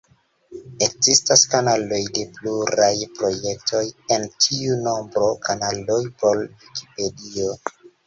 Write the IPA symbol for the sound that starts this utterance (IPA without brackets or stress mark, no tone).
e̞